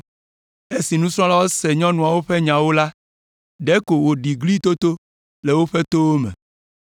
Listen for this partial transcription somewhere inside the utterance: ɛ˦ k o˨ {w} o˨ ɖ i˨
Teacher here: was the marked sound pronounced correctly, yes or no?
yes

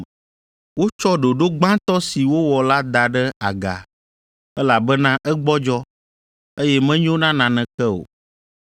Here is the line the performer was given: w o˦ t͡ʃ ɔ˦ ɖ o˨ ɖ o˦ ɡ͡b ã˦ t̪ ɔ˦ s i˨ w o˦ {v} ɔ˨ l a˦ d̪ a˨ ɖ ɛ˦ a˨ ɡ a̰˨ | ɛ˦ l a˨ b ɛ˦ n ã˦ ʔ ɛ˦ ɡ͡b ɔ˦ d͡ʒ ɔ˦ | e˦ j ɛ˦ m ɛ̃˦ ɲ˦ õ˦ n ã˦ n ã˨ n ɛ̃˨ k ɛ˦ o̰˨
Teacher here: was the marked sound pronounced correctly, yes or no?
no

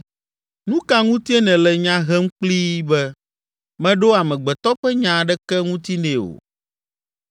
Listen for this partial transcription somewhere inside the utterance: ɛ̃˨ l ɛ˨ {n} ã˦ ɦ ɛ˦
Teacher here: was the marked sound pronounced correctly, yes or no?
no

